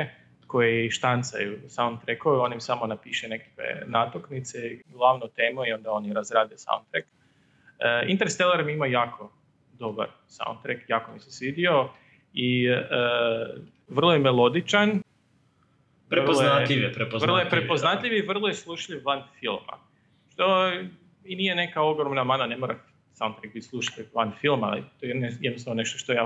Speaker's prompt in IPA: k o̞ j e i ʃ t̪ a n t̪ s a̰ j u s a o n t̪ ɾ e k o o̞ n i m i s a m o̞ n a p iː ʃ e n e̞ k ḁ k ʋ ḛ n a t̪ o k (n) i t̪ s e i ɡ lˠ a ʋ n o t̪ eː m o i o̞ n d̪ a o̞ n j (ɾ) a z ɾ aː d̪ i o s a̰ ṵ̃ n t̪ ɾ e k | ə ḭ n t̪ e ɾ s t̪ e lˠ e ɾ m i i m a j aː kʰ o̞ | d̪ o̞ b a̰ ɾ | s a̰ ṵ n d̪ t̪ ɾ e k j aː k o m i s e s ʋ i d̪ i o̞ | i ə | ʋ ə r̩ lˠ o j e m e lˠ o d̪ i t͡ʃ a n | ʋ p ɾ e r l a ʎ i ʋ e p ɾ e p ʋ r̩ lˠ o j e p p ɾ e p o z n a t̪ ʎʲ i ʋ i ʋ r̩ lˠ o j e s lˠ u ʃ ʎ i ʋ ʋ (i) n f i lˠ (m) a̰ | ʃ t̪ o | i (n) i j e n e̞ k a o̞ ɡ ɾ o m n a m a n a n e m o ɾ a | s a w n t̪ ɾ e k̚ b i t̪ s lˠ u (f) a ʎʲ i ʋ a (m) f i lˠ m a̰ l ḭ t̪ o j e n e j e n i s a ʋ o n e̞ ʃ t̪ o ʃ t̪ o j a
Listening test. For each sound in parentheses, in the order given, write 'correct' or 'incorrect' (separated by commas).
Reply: correct, correct, incorrect, correct, correct, incorrect, incorrect